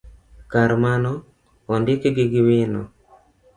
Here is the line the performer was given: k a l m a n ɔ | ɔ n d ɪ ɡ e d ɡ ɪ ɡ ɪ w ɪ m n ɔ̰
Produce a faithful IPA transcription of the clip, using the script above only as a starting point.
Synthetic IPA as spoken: k a ɾ m a n ɔ | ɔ n d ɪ k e ɡ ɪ ɡ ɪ w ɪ n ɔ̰